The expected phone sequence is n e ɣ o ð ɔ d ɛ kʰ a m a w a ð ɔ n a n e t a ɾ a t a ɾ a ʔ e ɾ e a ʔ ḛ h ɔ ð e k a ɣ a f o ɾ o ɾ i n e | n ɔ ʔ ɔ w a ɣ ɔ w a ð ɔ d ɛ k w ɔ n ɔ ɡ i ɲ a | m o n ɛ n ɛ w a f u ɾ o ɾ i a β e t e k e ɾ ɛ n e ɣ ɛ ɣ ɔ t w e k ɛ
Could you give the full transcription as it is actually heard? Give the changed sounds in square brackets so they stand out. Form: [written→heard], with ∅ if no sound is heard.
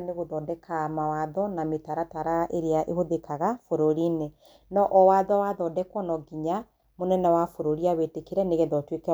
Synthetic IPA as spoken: n e ɣ o ð ɔ d ɛ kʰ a m a w a ð ɔ n a [n→m] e t a ɾ a t a ɾ a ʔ e ɾ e a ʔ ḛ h [ɔ→o] ð e k a ɣ a f o ɾ o ɾ i n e | n ɔ ʔ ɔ w a [ɣ→ð] ɔ w a ð ɔ d ɛ k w ɔ n ɔ ɡ i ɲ a | m o n ɛ n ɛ w a f [u→o] ɾ o ɾ i a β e t e k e ɾ ɛ n e ɣ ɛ [ɣ→ð] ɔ t w e k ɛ

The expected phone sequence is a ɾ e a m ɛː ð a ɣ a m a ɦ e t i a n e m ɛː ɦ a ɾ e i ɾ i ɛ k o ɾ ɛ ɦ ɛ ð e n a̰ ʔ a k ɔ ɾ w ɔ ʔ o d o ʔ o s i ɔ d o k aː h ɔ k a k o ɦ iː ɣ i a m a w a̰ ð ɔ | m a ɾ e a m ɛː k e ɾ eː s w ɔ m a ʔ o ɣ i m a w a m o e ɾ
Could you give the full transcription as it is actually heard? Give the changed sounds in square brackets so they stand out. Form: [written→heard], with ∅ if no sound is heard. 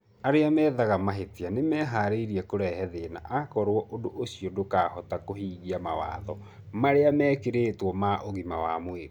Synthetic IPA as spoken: a ɾ e a m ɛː ð a ɣ a m a ɦ e t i a n e m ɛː ɦ a ɾ e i ɾ i ɛ k o ɾ ɛ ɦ ɛ ð e n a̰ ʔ a k ɔ ɾ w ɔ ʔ o d o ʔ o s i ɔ d o k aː h ɔ [k→t] a k o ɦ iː ɣ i a m a w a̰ ð ɔ | m a ɾ e a m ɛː k e ɾ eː [s→t] w ɔ m a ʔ o ɣ i m a w a m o e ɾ

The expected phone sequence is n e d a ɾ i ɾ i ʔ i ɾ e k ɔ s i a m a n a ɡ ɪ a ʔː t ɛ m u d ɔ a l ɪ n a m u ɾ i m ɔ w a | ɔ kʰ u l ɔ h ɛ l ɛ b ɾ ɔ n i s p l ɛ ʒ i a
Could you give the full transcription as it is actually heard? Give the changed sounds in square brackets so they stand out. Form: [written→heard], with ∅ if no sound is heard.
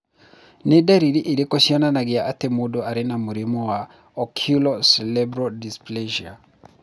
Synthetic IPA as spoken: n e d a ɾ i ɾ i ʔ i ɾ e k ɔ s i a [m→n] a n a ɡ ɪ a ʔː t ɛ m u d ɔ a [l→ɾ] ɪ n a m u ɾ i m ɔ w a | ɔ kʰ u l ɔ [h→s] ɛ l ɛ b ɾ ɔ [n→d] i s p l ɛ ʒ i a

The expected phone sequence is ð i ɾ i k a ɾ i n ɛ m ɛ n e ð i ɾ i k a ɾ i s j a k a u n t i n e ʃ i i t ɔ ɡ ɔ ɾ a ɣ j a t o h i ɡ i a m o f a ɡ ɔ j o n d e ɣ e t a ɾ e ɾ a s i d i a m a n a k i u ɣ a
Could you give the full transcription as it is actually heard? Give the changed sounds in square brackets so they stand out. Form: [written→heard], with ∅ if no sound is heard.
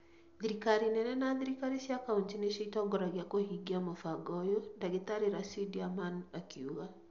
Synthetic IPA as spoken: ð i ɾ i k a ɾ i n ɛ [m→n] ɛ n [e→a] ð i ɾ i k a ɾ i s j a k a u n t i n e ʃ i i t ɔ ɡ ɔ ɾ a ɣ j a [t→k] o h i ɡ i a m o f a ɡ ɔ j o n d [e→a] ɣ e t a ɾ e ɾ a s i d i a m a n a k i u ɣ a

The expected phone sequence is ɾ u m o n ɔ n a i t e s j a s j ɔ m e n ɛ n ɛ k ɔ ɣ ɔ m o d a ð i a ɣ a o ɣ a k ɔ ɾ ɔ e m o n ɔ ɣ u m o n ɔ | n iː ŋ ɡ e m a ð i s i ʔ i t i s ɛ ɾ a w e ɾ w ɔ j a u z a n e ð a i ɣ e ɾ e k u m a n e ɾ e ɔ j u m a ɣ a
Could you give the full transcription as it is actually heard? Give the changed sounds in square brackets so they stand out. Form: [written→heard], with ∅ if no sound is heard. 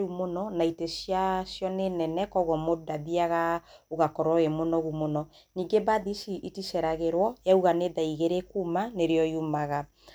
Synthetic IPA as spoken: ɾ u m o n ɔ n a i t e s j a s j ɔ [m→n] e n ɛ n ɛ k ɔ ɣ ɔ m o d a ð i a ɣ a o ɣ a k ɔ ɾ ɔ e m o n ɔ ɣ u m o n ɔ | n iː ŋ ɡ e [m→b] a ð i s i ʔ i t i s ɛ ɾ a [w→ɣ] e ɾ w ɔ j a u [z→ɣ] a n e ð a i ɣ e ɾ e k u m a n e ɾ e ɔ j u m a ɣ a

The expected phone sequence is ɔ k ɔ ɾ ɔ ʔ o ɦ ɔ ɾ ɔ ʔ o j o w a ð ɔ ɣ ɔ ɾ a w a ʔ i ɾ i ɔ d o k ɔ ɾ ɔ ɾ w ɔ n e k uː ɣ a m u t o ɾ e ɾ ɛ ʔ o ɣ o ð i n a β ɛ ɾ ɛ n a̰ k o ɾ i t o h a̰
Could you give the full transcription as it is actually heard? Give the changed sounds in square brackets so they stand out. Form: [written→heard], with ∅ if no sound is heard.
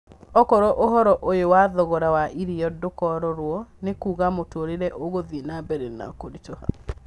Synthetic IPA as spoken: ɔ k ɔ ɾ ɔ ʔ o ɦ ɔ ɾ ɔ ʔ o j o w a ð ɔ ɣ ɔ ɾ a w a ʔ i ɾ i ɔ d o k ɔ ɾ ɔ ɾ w ɔ n e k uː ɣ a m [u→o] t o ɾ e ɾ ɛ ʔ o ɣ o ð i n a [β→b] ɛ ɾ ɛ n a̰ k o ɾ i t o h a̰

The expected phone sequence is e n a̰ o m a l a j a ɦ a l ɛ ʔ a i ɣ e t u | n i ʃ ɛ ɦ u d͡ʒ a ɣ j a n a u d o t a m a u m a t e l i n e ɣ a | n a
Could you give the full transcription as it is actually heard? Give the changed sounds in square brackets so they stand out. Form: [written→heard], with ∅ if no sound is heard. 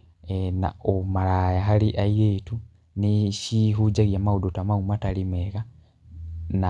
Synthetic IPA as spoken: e n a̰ o m a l a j a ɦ a l [ɛ→i] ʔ a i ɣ e t u | n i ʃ [ɛ→i] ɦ u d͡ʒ a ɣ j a [n→m] a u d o t a m a u m a t [e→a] l i [n→m] e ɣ a | n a

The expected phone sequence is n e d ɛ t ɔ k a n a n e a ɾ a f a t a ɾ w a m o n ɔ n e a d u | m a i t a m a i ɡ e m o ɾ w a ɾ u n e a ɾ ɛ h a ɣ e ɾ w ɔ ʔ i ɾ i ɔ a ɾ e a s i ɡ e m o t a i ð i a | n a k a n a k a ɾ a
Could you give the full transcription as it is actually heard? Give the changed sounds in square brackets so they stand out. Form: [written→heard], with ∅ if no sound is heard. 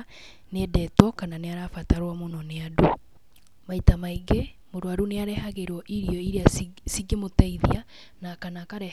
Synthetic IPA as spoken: n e d ɛ t ɔ k a n a n e a ɾ a f a t a ɾ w a m o n ɔ n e a d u | m a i t a m a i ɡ e m o ɾ w a ɾ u n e a ɾ ɛ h a ɣ e ɾ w ɔ ʔ i ɾ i ɔ [a→i] ɾ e a s i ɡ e m o t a i ð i a | n a k a n a k a ɾ [a→ɛ]

